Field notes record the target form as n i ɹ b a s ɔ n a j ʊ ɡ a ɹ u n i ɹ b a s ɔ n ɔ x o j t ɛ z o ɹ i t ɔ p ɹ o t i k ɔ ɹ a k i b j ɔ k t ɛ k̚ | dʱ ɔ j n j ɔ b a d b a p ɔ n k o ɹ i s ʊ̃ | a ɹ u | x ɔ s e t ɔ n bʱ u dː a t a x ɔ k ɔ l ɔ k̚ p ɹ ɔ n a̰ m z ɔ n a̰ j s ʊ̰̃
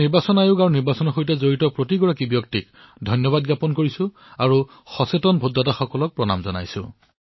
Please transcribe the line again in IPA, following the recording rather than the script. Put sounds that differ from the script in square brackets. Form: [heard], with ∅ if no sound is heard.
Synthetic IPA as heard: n i ɹ b a s ɔ n a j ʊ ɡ a ɹ u n i ɹ b a s ɔ n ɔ x o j t ɛ z o ɹ i t ɔ p ɹ o t i [ɡ] ɔ ɹ a k i b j ɔ k t [i] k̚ | dʱ ɔ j n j ɔ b a d [ɡ] a p ɔ n k o ɹ i s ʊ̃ | a ɹ u | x ɔ s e t ɔ n bʱ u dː a t a x ɔ k ɔ l ɔ k̚ p ɹ ɔ n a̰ m z ɔ n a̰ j s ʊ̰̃